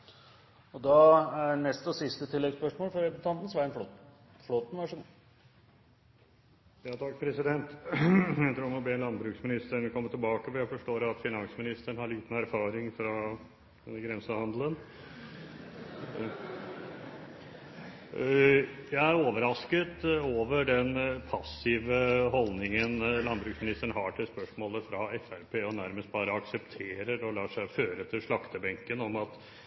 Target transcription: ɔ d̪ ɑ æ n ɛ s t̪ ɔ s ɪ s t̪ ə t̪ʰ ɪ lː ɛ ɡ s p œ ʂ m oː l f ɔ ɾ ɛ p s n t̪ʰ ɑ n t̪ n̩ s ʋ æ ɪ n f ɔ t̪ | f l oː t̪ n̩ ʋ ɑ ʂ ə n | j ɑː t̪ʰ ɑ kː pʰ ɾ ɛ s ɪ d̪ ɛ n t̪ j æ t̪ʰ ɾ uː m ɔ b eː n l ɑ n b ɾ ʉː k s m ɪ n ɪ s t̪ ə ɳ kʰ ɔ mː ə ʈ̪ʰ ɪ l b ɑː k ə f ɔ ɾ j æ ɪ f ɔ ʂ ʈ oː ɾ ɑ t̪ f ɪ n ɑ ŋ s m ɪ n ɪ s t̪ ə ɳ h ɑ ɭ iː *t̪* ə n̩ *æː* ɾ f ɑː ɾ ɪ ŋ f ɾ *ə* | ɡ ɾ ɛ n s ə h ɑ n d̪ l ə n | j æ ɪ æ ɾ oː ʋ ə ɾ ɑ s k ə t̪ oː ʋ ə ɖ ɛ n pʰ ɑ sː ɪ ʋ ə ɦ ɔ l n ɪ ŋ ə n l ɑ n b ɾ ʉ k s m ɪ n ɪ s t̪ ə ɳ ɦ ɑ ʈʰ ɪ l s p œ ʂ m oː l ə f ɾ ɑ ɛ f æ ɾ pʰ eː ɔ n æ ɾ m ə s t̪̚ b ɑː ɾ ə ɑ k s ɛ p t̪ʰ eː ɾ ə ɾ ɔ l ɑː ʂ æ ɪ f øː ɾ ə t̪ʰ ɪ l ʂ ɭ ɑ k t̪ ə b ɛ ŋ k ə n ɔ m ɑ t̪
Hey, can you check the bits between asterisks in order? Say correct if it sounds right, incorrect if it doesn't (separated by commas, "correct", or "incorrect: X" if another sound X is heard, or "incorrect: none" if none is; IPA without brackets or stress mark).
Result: correct, incorrect: æ, incorrect: ɑ